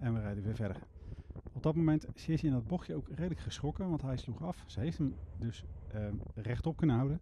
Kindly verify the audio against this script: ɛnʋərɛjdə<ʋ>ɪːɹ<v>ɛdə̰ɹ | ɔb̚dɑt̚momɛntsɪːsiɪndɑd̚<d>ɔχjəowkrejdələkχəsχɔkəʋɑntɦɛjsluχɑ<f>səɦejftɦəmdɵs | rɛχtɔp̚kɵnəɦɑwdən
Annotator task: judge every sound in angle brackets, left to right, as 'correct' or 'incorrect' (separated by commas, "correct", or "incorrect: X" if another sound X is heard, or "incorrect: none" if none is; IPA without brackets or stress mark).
correct, correct, incorrect: b, correct